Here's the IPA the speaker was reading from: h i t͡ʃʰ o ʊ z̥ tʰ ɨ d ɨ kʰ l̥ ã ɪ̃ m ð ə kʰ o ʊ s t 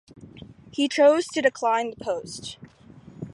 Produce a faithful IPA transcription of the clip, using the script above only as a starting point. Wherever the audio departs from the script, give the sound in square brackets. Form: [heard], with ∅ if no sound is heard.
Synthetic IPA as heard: h i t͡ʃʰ o ʊ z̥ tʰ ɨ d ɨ kʰ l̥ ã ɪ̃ [n] ð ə [pʰ] o ʊ s t

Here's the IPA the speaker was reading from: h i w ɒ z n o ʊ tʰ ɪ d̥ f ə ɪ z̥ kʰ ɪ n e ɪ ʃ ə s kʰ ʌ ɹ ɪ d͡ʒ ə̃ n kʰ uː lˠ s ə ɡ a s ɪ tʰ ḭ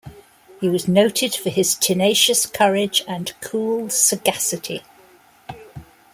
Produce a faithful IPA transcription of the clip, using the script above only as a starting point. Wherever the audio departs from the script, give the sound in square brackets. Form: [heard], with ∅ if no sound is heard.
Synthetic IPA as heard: h i w ɒ z n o ʊ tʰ ɪ d̥ f ə ɪ z̥ [tʰ] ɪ n e ɪ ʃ ə s kʰ ʌ ɹ ɪ d͡ʒ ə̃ n kʰ uː lˠ s ə ɡ a s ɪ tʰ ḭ

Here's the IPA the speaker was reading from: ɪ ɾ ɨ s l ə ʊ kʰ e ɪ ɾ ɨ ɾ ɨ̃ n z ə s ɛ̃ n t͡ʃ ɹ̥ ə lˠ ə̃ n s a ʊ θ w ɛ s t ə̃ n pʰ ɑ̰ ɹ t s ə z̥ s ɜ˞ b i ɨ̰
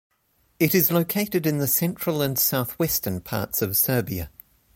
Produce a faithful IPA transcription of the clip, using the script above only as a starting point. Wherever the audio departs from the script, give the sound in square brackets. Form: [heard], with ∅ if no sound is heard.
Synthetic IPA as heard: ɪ ɾ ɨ [z] l ə ʊ kʰ e ɪ ɾ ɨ ɾ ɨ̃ n [ð] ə s ɛ̃ n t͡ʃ ɹ̥ ə lˠ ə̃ n s a ʊ θ w ɛ s t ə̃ n pʰ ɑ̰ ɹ t s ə [v̥] s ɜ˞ b i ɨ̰

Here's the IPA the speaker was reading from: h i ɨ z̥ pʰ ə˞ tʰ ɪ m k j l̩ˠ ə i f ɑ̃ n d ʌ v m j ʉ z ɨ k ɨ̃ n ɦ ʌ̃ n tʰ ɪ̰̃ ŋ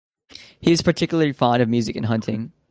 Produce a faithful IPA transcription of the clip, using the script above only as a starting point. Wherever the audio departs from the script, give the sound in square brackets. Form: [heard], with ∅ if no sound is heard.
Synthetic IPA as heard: h i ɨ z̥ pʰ ə˞ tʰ ɪ [∅] k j l̩ˠ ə i f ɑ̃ n d ʌ v m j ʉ z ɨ k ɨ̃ n ɦ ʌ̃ n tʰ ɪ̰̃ ŋ

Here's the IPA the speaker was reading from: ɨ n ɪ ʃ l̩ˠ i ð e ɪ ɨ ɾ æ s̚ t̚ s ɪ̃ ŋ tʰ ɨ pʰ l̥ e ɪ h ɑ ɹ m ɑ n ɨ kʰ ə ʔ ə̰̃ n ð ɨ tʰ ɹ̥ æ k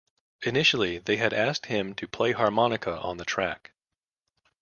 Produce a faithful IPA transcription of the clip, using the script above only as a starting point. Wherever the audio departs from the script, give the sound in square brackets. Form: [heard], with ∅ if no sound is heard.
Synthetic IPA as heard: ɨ n ɪ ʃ l̩ˠ i ð e ɪ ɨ ɾ æ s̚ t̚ [h] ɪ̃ [m] tʰ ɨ pʰ l̥ e ɪ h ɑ ɹ m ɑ n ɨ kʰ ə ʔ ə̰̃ n ð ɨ tʰ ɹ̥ æ k

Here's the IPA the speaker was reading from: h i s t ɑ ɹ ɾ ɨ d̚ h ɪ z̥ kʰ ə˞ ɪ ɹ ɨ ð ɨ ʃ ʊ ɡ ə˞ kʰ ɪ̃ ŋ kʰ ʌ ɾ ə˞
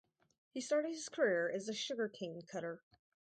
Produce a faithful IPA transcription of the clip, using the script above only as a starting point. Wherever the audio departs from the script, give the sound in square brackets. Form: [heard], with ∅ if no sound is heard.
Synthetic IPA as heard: h i s t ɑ ɹ ɾ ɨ d̚ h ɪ z̥ kʰ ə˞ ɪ ɹ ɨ [z] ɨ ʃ ʊ ɡ ə˞ kʰ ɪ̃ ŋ kʰ ʌ ɾ ə˞

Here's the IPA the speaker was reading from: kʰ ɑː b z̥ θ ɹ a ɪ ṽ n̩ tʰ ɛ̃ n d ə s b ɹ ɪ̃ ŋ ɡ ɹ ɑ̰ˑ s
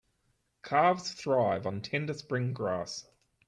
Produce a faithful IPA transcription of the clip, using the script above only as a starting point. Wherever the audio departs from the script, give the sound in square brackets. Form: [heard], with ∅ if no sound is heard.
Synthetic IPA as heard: kʰ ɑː [v] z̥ θ ɹ a ɪ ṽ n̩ tʰ ɛ̃ n d ə s [p] ɹ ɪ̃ ŋ ɡ ɹ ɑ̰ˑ s

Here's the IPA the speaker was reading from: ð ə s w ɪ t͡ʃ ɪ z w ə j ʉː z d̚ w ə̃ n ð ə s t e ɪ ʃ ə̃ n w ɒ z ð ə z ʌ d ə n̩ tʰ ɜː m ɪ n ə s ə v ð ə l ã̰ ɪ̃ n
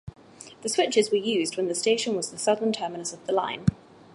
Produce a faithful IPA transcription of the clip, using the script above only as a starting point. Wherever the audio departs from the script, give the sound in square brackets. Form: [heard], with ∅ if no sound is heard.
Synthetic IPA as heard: ð ə s w ɪ t͡ʃ ɪ z w ə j ʉː z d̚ w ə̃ n ð ə s t e ɪ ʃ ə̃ n w ɒ z ð ə [s] ʌ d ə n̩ tʰ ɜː m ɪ n ə s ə v ð ə l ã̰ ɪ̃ n

